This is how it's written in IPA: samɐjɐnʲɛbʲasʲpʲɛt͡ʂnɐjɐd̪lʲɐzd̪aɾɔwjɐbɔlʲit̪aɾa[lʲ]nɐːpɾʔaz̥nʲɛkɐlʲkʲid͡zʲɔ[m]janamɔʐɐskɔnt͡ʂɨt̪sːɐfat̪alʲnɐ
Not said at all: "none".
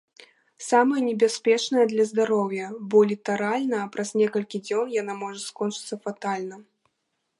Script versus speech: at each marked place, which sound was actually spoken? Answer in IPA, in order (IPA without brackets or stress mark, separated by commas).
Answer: lʲ, n